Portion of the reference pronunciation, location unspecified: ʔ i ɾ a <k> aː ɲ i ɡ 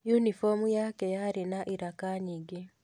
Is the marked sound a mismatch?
no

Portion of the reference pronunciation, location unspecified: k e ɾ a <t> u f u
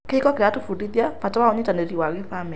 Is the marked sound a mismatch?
no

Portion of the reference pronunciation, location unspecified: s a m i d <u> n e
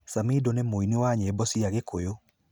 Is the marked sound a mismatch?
yes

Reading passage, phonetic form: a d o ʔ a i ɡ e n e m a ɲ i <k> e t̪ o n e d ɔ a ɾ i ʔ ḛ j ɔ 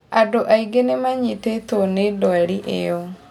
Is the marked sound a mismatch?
yes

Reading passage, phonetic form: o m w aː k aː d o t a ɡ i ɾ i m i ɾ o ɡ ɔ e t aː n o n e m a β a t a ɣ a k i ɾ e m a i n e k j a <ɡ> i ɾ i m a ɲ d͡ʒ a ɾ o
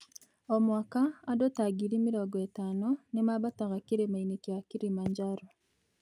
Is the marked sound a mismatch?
yes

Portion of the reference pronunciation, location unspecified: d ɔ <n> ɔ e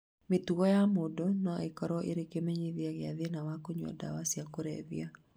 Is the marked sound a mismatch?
no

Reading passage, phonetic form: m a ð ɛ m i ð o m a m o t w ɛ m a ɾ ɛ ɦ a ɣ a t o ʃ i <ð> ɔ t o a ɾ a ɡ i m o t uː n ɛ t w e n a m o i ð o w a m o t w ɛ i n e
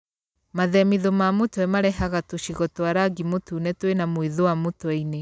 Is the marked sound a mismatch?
yes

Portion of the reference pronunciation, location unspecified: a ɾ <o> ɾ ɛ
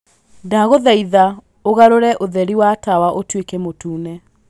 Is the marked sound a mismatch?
no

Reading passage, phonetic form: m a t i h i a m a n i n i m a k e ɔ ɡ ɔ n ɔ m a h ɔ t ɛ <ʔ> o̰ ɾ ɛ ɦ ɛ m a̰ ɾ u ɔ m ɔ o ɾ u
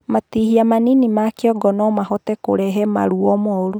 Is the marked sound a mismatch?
yes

